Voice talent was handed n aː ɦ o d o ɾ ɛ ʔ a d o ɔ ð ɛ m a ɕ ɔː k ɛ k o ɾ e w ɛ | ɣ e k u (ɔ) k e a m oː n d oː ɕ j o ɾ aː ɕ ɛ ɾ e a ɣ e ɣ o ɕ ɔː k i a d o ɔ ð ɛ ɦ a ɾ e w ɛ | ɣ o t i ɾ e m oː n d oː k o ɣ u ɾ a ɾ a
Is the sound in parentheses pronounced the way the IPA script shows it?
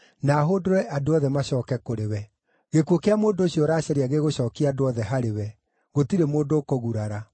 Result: no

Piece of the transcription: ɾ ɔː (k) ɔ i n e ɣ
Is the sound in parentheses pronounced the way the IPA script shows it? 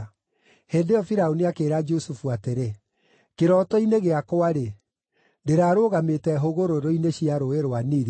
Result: no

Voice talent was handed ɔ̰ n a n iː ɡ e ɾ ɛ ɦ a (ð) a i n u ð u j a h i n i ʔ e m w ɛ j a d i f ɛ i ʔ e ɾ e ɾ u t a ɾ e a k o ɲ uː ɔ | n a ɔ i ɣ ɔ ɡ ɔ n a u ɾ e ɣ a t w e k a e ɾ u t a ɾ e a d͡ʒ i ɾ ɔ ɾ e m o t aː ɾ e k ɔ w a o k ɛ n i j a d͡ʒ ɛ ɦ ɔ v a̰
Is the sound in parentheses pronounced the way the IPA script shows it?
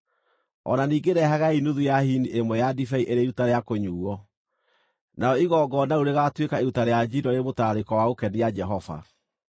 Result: no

